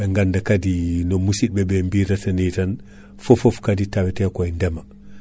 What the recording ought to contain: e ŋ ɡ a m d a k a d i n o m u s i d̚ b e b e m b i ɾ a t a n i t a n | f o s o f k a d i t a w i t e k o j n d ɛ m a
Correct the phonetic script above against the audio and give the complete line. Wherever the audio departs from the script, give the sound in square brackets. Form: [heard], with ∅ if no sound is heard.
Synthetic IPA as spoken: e ŋ ɡ a [n] d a k a d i n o m u s i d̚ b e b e m b i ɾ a t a n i t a n | f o [f] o f k a d i t a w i t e k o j n d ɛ m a